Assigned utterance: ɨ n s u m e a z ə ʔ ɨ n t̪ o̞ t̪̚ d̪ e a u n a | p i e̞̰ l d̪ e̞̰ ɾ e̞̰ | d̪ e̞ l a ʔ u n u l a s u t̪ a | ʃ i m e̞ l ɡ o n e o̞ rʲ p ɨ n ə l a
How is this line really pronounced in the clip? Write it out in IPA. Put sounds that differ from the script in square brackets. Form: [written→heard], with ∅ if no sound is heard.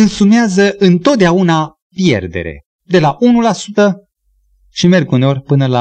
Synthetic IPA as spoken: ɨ n s u m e a z ə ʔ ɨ n t̪ o̞ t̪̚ d̪ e a u n a | p [i→j] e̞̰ [l→r] d̪ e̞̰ ɾ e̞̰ | d̪ e̞ l a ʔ u n u l a s u t̪ [a→ə] | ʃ i m e̞ [l→r] ɡ [o→u] n e o̞ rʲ p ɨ n ə l a